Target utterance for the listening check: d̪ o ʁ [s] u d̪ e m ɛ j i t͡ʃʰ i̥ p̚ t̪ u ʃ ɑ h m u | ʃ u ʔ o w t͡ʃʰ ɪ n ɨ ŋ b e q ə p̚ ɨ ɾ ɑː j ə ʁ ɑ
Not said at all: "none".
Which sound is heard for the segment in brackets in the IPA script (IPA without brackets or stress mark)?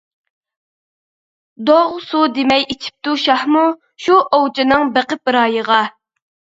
s